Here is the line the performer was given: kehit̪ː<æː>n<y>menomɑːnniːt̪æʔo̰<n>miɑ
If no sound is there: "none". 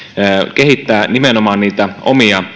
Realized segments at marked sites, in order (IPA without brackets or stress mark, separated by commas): æː, i, none